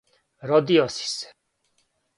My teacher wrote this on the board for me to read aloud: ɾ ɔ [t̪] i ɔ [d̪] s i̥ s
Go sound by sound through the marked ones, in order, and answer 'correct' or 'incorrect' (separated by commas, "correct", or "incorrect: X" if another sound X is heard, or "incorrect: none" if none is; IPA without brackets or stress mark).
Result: incorrect: d̪, incorrect: none